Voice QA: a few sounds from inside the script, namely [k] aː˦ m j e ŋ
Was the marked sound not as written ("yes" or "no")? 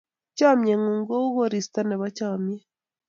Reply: yes